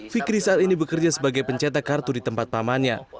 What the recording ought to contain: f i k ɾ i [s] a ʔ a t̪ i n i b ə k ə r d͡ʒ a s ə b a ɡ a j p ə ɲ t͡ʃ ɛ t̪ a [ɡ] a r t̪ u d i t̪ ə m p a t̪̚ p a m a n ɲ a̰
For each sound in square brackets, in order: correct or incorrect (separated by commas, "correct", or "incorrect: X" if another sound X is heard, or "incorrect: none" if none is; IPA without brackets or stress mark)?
correct, incorrect: k